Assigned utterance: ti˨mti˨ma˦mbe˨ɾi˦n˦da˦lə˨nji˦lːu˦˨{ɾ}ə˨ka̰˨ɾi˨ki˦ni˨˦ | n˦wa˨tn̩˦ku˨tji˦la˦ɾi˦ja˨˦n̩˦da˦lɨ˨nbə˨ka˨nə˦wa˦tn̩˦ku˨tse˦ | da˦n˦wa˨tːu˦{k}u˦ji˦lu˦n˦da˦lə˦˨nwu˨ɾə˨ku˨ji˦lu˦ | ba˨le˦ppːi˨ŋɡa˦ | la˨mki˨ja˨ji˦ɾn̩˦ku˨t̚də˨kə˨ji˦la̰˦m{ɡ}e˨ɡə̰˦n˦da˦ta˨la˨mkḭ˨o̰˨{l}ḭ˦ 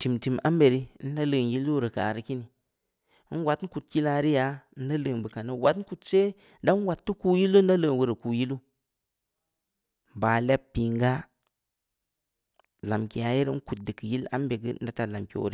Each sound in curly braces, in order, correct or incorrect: correct, correct, incorrect, incorrect

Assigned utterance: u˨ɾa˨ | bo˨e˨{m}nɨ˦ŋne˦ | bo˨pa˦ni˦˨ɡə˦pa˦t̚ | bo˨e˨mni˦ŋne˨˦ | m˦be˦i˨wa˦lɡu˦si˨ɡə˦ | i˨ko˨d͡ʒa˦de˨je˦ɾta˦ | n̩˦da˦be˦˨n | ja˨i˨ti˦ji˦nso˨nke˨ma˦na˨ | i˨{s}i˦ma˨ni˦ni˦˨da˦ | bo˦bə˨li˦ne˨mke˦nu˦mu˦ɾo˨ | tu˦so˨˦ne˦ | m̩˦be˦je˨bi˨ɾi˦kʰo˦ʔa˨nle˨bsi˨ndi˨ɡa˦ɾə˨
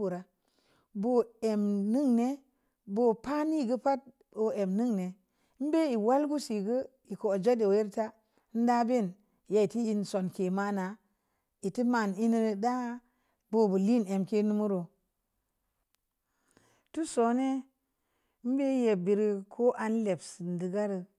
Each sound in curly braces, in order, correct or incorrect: correct, incorrect

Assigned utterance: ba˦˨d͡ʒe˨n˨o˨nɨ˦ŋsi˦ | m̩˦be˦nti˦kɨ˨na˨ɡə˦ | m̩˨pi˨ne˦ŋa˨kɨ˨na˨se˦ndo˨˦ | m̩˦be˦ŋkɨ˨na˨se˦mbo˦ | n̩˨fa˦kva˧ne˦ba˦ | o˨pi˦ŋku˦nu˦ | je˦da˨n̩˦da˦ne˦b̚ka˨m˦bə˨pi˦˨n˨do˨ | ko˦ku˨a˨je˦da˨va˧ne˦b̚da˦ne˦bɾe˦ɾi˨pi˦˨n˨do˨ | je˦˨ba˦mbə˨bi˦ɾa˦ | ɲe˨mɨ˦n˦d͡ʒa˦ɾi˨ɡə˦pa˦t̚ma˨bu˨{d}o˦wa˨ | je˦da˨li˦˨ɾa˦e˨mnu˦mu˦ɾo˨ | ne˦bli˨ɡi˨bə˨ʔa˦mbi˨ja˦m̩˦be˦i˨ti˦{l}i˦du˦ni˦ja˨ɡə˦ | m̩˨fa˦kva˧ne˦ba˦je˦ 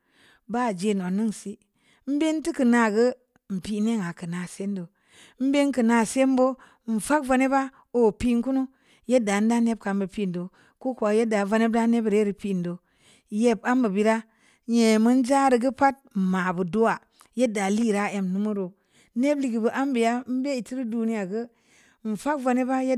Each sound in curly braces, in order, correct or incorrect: correct, incorrect

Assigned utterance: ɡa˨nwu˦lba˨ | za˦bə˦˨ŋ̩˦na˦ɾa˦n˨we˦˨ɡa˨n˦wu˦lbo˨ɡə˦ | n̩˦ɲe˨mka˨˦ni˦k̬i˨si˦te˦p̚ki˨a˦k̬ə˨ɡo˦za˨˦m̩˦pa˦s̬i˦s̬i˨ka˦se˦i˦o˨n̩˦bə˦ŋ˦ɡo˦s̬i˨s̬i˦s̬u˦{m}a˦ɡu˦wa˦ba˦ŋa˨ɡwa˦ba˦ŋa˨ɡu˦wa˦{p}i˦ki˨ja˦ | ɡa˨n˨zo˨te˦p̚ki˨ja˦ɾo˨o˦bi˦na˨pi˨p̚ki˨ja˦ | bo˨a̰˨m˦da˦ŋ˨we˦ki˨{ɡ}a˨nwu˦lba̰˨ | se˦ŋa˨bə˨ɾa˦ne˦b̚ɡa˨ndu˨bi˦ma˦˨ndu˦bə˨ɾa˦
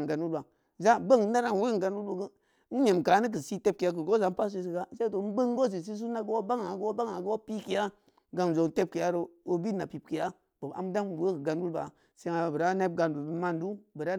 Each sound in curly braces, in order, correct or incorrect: incorrect, correct, correct

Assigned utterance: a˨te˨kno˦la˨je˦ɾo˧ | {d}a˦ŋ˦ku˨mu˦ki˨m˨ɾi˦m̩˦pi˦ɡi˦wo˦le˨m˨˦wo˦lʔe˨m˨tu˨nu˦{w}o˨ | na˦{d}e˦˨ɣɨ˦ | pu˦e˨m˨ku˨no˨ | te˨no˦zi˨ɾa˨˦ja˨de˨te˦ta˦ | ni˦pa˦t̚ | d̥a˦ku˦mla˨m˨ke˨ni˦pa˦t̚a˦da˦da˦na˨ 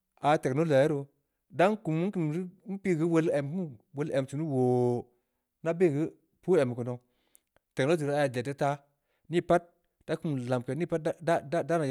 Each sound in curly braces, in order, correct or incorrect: correct, correct, incorrect

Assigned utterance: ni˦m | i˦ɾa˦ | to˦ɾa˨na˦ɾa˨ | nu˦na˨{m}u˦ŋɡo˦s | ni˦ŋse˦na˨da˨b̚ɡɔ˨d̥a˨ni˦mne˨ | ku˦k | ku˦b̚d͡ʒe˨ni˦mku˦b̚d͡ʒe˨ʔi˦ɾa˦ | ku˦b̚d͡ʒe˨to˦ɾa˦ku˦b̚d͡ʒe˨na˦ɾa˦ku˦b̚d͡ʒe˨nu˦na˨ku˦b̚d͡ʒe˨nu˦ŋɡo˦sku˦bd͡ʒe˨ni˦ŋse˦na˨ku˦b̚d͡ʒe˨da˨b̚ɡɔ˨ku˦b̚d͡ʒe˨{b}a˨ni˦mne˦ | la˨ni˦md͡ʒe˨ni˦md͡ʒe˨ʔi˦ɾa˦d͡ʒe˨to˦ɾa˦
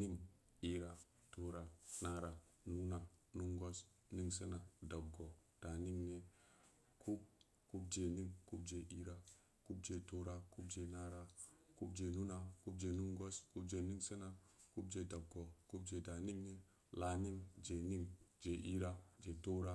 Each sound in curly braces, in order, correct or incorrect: incorrect, incorrect

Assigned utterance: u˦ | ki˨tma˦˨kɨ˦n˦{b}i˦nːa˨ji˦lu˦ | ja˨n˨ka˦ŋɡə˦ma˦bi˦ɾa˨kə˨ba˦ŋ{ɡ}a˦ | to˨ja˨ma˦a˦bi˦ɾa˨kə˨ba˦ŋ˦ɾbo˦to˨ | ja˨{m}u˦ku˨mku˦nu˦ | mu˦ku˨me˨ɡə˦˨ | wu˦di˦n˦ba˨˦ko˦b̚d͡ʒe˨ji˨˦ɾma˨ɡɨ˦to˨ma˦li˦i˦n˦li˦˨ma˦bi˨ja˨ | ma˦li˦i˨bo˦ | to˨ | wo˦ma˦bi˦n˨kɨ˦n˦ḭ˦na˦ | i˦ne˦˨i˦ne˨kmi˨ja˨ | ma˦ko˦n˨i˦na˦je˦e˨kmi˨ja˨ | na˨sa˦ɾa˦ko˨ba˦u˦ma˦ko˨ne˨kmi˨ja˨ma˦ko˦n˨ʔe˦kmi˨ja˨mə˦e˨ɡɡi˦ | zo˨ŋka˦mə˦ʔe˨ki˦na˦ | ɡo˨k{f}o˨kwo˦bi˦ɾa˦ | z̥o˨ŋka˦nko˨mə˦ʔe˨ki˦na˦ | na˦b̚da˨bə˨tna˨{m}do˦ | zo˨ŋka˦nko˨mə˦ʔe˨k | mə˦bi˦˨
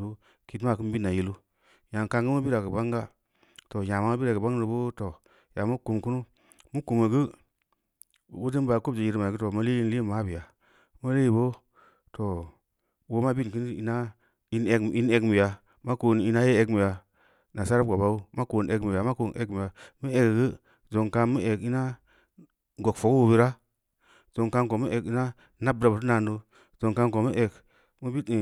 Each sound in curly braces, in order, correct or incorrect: correct, correct, correct, correct, incorrect

